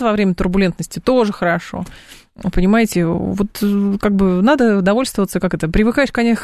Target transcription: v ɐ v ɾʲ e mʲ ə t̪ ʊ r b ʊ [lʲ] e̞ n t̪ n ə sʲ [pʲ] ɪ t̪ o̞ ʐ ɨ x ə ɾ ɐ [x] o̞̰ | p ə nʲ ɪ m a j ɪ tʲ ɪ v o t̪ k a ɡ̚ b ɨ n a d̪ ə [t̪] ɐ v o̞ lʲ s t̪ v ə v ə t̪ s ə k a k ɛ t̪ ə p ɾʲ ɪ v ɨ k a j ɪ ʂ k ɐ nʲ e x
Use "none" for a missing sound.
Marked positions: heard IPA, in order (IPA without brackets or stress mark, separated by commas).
lʲ, tʲ, ʂ, d̪